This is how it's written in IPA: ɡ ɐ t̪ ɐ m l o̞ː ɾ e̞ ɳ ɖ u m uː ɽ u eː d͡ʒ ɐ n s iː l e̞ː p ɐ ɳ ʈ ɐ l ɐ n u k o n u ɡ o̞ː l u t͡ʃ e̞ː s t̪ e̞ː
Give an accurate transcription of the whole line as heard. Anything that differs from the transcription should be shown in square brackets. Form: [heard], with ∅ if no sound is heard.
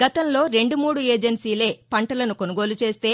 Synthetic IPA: ɡ ɐ t̪ ɐ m l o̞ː ɾ e̞ ɳ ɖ u m uː ɽ u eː d͡ʒ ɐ n s iː l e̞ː p ɐ ɳ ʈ ɐ l ɐ n u k o n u ɡ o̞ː l u t͡ʃ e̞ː s t̪ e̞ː